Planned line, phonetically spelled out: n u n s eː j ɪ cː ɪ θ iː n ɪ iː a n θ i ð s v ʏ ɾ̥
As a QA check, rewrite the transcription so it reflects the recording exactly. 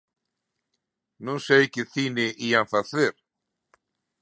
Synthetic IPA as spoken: n u n s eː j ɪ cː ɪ θ iː n ɪ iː a n θ a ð θ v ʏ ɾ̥